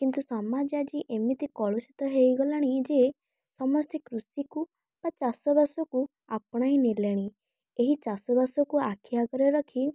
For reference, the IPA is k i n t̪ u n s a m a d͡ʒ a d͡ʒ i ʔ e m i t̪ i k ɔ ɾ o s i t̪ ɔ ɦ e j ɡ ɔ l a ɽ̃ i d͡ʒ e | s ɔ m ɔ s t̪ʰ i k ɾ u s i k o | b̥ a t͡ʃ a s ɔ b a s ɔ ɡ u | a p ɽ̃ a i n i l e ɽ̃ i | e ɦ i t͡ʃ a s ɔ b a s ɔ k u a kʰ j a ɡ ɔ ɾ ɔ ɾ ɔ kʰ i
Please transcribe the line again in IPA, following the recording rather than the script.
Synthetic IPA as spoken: k i n t̪ u s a m a d͡ʒ a d͡ʒ i ʔ e m i t̪ i k ɔ ɭ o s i t̪ ɔ ɦ e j ɡ ɔ l a ɽ̃ i d͡ʒ e | s ɔ m ɔ s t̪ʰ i k ɾ u s i k u | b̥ a t͡ʃ a s ɔ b a s ɔ k u | a p ɽ̃ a i n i l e ɽ̃ i | e ɦ i t͡ʃ a s ɔ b a s ɔ k u a kʰ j a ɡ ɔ ɾ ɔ ɾ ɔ kʰ i